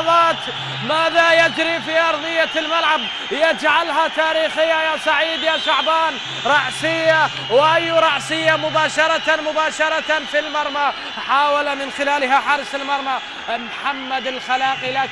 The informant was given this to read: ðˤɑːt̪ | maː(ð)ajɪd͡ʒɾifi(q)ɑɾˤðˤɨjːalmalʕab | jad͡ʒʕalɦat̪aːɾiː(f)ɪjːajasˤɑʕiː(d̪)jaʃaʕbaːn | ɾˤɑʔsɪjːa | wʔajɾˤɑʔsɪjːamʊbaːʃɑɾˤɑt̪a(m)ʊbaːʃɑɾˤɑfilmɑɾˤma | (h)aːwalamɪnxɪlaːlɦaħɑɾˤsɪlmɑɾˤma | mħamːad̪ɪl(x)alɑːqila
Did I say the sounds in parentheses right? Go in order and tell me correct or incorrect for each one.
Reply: correct, incorrect, incorrect, correct, correct, incorrect, correct

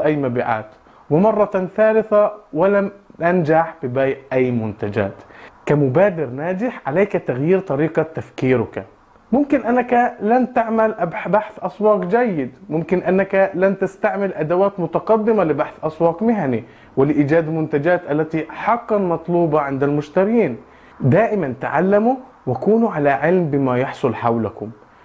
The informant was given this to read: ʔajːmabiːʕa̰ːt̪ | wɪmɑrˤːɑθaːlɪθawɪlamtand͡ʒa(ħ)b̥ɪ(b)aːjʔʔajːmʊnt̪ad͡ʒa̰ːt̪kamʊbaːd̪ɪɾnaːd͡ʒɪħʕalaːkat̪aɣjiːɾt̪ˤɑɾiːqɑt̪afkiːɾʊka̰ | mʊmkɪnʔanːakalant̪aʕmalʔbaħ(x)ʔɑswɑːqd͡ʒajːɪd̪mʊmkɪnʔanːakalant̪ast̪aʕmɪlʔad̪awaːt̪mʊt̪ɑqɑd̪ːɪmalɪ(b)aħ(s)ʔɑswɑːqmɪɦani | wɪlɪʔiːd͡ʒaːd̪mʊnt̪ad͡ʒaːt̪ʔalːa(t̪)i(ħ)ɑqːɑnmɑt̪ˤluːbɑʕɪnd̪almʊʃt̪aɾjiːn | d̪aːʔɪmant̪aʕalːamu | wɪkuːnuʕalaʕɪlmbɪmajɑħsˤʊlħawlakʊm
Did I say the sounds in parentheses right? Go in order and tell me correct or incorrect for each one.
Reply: correct, correct, incorrect, correct, incorrect, correct, correct

